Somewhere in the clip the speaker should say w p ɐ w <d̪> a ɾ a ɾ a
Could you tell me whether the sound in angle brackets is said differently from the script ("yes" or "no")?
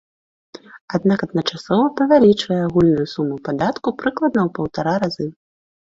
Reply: yes